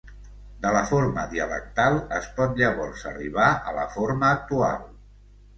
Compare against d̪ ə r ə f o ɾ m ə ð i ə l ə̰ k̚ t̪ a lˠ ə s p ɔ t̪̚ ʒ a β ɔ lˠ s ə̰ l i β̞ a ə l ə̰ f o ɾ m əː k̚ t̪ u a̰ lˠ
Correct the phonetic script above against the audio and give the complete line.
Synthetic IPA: d̪ ə l ə f o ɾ m ə ð i ə l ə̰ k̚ t̪ a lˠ ə s p ɔ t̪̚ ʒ a β ɔ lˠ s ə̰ r i β̞ a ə l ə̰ f o ɾ m əː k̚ t̪ u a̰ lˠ